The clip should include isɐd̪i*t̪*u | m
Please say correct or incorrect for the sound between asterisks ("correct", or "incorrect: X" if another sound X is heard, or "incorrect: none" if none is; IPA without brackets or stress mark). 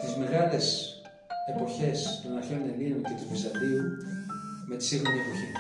incorrect: none